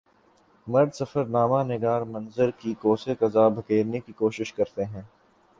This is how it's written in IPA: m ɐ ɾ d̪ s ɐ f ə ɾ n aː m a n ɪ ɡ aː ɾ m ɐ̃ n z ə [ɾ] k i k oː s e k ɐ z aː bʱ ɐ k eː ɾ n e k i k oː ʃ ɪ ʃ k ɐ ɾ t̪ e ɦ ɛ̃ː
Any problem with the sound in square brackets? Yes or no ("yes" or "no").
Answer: no